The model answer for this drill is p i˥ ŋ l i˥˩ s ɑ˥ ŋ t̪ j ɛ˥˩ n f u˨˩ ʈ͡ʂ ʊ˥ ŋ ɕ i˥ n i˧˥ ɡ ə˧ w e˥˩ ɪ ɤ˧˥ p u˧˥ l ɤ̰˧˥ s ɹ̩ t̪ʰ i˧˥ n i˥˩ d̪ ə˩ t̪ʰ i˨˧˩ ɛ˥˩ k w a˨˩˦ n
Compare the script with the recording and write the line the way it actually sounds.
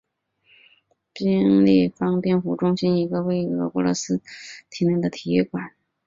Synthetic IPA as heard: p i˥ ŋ l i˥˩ f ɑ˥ ŋ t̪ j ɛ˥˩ n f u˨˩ ʈ͡ʂ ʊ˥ ŋ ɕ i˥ n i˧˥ ɡ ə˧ w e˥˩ ɪ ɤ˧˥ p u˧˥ l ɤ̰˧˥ s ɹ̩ t̪ʰ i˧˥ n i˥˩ d̪ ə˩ t̪ʰ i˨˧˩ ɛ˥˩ k w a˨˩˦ n